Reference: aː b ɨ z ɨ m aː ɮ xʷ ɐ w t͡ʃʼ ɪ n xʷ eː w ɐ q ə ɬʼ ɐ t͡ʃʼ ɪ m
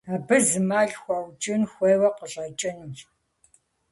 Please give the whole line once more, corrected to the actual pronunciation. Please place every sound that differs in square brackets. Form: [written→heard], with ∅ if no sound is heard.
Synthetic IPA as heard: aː b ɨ z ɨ m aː ɮ xʷ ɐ w t͡ʃʼ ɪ n xʷ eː w ɐ q ə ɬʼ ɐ t͡ʃʼ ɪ [m→n]